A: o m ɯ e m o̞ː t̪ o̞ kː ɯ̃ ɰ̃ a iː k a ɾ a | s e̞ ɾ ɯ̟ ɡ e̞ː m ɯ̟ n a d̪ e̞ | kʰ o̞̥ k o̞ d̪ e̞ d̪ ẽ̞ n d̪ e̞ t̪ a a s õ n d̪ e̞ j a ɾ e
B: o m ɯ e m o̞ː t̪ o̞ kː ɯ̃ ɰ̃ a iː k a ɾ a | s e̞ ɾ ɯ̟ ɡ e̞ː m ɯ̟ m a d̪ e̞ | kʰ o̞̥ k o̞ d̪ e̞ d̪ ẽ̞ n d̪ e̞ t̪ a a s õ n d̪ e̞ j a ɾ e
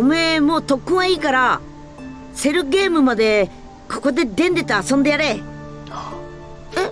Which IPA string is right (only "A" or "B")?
B